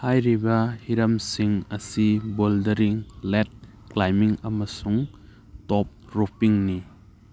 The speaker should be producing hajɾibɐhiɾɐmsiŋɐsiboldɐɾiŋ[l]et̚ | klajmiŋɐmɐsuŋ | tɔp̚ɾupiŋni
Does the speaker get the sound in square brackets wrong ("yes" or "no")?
no